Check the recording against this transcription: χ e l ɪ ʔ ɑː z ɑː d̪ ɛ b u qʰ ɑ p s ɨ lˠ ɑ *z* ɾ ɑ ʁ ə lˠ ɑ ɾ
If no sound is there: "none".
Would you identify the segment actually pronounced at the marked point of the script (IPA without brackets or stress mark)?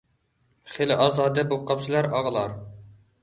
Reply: none